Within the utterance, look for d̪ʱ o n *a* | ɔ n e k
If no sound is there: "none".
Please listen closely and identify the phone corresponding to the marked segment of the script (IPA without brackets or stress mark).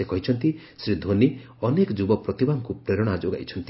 i